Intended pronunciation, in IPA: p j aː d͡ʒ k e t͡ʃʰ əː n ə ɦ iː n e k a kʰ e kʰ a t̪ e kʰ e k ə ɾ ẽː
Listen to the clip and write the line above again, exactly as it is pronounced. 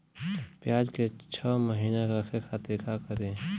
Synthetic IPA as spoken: p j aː d͡ʒ k e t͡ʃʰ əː m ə ɦ iː n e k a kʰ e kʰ a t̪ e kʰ a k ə ɾ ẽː